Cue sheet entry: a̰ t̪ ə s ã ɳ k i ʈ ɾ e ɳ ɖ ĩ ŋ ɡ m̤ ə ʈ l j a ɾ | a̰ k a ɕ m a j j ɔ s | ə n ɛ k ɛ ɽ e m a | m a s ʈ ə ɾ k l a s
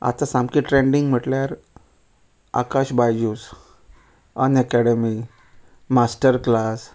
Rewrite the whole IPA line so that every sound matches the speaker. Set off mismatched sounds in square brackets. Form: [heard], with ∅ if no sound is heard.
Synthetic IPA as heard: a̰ t̪ [a] s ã [m] k i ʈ ɾ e ɳ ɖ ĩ ŋ ɡ m̤ ə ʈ l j a ɾ | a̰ k a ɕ [b] a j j [u] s | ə n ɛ k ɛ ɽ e m [i] | m a s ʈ ə ɾ k l a s

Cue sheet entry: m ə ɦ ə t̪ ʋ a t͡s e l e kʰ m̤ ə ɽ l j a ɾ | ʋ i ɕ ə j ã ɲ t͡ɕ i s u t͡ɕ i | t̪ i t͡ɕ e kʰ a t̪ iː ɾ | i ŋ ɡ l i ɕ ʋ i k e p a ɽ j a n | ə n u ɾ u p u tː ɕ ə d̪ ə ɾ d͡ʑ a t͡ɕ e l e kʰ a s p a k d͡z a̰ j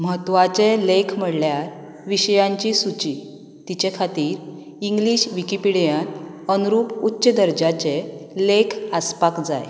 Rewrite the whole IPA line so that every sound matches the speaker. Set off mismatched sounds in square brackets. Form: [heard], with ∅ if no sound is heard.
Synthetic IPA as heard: m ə ɦ ə t̪ ʋ a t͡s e l e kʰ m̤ ə ɽ l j a ɾ | ʋ i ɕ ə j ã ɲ t͡ɕ i s u t͡ɕ i | t̪ i t͡ɕ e kʰ a t̪ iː ɾ | i ŋ ɡ l i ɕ ʋ i k [i] p [i] ɽ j a n | ə n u ɾ u p u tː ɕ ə d̪ ə ɾ d͡ʑ a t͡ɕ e l e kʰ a s p a k d͡z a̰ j

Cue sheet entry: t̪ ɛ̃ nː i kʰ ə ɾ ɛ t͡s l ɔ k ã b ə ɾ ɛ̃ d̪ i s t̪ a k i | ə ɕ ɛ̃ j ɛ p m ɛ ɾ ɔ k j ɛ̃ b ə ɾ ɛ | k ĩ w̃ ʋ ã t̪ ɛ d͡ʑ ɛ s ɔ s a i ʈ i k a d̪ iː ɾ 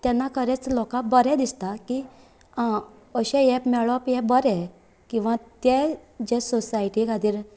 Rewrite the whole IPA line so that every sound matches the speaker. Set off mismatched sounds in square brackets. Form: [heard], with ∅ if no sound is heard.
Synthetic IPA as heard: t̪ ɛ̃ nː [a] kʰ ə ɾ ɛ t͡s l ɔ k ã b ə ɾ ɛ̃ d̪ i s t̪ a k i | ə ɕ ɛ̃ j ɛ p m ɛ [ɭ] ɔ [p] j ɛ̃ b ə ɾ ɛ | k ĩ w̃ ʋ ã t̪ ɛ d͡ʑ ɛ s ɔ s a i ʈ i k a d̪ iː ɾ

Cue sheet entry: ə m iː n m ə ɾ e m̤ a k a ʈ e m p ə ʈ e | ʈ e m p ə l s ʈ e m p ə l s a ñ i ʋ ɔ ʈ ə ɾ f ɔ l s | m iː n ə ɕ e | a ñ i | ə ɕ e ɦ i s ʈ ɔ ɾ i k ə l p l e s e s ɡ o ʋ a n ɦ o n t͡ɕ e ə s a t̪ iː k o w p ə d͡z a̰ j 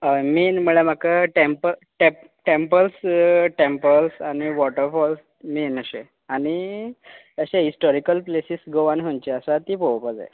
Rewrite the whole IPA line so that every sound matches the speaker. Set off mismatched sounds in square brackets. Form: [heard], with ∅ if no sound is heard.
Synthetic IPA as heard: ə m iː n m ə [ɭ] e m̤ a k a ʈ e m p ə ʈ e | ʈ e m p ə l s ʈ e m p ə l s a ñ i ʋ ɔ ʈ ə ɾ f ɔ l s | m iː n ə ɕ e | a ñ i | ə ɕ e ɦ i s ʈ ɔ ɾ i k ə l p l e s [i] s ɡ o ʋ a n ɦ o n t͡ɕ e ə s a t̪ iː [p] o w p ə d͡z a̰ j

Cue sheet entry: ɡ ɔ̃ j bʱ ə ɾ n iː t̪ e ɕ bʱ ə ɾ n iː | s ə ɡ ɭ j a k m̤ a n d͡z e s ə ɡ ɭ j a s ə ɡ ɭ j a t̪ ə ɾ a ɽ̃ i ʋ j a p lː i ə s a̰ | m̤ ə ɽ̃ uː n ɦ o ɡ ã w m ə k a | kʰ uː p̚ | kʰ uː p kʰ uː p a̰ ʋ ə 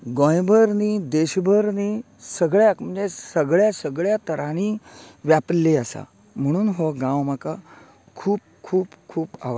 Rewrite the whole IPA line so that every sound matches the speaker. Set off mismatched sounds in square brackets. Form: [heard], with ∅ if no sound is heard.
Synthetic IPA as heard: ɡ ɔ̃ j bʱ ə ɾ n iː [d̪] e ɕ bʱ ə ɾ n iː | s ə ɡ ɭ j a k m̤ [ə] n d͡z e s ə ɡ ɭ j a s ə ɡ ɭ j a t̪ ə ɾ a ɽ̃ i ʋ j a p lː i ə s a̰ | m̤ ə ɽ̃ uː n ɦ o ɡ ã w m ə k a | kʰ uː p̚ | kʰ uː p kʰ uː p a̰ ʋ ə

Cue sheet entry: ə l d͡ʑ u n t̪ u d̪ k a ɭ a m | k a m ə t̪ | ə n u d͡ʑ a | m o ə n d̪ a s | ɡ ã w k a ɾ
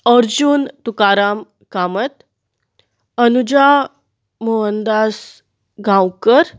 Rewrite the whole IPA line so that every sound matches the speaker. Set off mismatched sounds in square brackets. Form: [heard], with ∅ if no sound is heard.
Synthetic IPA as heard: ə [ɾ] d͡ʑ u n t̪ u [∅] k a [ɾ] a m | k a m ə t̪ | ə n u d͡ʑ a | m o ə n d̪ a s | ɡ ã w k [ə] ɾ

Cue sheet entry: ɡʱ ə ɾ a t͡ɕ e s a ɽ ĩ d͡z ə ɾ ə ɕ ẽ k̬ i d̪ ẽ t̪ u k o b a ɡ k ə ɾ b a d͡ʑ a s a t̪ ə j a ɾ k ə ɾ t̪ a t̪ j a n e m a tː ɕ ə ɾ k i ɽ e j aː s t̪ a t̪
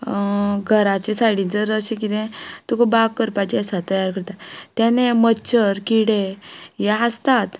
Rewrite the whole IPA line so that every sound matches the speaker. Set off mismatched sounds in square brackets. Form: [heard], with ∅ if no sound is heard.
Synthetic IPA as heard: ɡʱ ə ɾ a t͡ɕ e s a ɽ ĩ d͡z ə ɾ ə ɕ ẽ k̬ i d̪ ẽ t̪ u k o b a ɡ k ə ɾ [p] a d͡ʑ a s a t̪ ə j a ɾ k ə ɾ t̪ a t̪ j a n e m [ə] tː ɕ ə ɾ k i ɽ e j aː s t̪ a t̪

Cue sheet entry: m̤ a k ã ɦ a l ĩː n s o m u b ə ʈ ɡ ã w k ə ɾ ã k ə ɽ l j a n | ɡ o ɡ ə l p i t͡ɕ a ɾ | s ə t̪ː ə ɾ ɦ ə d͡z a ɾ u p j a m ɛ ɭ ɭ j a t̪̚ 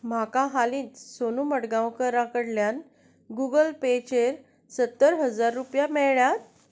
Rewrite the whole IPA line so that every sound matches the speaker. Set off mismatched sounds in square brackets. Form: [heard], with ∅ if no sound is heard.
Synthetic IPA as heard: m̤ a k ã ɦ a l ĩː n s o [n] u [m] ə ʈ ɡ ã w k ə ɾ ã k ə ɽ l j a n | ɡ [u] ɡ ə l p [e] t͡ɕ [e] ɾ | s ə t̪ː ə ɾ ɦ ə d͡z a [ɾː] u p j a m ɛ ɭ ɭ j a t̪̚

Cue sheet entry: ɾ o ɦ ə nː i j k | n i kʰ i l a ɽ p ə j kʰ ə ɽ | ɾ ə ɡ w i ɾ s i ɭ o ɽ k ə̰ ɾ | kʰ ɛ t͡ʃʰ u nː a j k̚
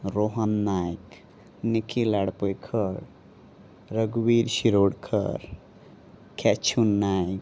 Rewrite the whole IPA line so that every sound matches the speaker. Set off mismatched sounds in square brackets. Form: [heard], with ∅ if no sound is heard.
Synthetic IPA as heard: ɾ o ɦ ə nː [a] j k | n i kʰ i l a ɽ p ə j kʰ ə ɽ | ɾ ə ɡ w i ɾ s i [ɾ] o ɽ [kʰ] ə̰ ɾ | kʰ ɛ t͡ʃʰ u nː a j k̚

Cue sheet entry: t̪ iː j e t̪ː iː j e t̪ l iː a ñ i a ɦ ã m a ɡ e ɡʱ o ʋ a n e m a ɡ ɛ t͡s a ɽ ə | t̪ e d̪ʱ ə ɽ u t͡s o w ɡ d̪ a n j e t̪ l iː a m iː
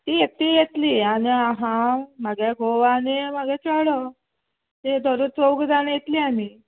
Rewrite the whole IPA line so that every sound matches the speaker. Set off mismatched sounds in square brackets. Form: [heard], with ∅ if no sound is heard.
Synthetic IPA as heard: t̪ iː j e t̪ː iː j e t̪ l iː a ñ i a ɦ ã m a ɡ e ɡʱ o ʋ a n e m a ɡ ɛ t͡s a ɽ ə | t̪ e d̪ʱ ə [ɾ] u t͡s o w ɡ d̪ a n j e t̪ l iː a m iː

